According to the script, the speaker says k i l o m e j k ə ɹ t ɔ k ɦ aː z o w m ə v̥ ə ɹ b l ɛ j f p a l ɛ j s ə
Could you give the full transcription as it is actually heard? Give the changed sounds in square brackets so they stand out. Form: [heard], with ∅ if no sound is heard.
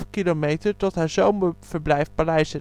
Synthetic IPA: k i l o m e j [t] ə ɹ t ɔ [t] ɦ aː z o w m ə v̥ ə ɹ b l ɛ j f p a l ɛ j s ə